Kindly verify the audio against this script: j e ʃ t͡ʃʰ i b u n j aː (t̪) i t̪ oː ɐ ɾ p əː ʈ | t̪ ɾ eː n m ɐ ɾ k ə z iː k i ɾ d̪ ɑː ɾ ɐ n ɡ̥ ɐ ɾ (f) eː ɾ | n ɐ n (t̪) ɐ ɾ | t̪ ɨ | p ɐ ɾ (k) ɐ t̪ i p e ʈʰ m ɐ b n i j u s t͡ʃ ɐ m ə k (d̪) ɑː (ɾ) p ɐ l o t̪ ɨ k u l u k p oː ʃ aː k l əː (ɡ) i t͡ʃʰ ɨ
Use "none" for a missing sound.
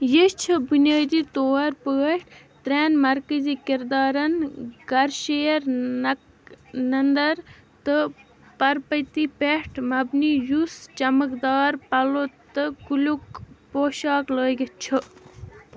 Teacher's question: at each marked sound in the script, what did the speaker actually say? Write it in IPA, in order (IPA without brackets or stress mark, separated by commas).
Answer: d̪, ʃ, d̪, p, d̪, ɾ, ɡ